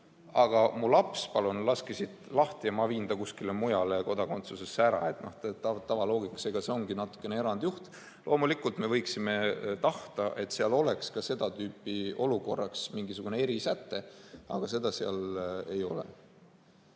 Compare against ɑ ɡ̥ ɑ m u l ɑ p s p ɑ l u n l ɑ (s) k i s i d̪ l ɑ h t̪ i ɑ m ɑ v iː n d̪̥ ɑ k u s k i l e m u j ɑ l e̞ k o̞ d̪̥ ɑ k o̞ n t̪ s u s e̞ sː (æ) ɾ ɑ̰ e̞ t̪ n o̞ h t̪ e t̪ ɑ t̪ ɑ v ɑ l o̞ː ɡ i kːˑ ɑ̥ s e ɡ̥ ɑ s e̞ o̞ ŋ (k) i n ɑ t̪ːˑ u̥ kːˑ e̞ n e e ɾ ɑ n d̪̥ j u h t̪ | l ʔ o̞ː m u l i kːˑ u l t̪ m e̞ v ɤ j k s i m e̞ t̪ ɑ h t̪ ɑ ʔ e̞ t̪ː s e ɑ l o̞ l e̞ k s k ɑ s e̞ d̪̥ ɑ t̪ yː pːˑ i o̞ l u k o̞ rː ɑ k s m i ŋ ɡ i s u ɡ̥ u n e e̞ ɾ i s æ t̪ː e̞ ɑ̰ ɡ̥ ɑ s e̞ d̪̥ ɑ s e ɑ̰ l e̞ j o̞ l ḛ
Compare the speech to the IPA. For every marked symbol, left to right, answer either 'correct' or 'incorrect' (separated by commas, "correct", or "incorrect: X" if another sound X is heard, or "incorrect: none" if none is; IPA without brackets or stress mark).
correct, correct, incorrect: ɡ